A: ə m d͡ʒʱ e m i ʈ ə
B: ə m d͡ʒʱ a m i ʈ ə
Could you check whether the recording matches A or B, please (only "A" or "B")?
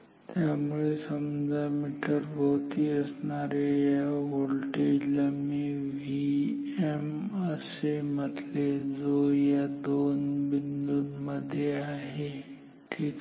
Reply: B